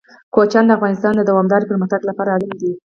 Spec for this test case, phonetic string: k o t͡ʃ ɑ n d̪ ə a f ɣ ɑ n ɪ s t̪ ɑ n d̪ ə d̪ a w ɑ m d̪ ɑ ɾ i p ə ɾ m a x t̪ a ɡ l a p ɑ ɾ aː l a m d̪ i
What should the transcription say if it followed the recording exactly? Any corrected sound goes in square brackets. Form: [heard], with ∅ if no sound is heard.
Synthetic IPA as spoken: k o t͡ʃ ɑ n d̪ ə a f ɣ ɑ n ɪ s t̪ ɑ n d̪ ə d̪ a w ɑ m d̪ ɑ ɾ i p ə ɾ m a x t̪ a ɡ l a p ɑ ɾ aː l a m d̪ i